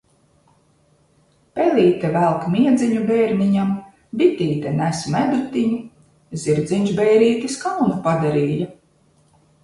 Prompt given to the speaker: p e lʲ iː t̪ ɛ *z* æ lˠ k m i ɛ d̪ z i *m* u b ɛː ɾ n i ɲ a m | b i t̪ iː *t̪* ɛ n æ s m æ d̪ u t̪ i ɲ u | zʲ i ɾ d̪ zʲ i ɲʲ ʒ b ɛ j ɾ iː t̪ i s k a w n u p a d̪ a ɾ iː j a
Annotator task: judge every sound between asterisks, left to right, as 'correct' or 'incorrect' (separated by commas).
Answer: incorrect, incorrect, correct